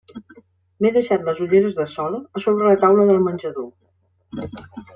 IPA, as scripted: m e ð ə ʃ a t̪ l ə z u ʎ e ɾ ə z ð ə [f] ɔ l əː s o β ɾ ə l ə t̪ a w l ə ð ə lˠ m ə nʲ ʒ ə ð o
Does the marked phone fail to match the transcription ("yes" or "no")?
yes